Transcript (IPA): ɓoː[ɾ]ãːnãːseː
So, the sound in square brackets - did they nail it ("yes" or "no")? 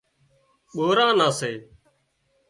yes